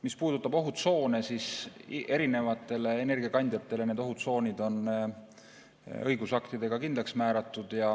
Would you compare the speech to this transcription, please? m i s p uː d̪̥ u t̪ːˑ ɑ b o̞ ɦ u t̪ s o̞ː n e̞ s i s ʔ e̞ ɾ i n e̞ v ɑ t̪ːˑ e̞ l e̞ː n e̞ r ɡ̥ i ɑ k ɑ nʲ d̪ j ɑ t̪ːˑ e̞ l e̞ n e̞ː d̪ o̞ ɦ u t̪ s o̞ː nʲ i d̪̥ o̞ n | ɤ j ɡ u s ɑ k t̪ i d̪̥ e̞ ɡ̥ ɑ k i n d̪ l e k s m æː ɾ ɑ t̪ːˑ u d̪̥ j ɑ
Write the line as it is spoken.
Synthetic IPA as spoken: m i s p uː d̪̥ u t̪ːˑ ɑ b o̞ ɦ u t̪ s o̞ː n e̞ s i s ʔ e̞ ɾ i n e̞ v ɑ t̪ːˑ e̞ l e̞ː n e̞ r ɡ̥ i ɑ k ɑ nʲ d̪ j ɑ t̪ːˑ e̞ l e̞ n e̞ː d̪ o̞ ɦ u t̪ s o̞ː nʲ i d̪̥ o̞ n | ɤ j ɡ u s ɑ k t̪ i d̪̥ e̞ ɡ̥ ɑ k i n d̪ l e k s m æː ɾ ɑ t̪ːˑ u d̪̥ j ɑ